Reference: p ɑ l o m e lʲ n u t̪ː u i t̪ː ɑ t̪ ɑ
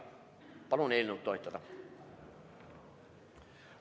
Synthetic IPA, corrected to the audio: p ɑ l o n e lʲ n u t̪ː o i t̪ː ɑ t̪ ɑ